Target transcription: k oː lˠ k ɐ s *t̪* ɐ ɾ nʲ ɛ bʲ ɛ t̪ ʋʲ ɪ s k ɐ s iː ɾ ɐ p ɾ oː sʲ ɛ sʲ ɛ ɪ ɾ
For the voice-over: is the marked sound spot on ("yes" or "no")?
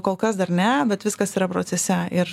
no